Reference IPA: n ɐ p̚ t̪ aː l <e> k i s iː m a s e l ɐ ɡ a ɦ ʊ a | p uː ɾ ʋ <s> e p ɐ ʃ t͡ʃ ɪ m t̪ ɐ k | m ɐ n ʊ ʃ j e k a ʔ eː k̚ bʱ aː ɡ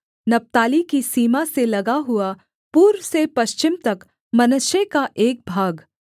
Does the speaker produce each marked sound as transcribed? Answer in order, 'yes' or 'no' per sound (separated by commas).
no, yes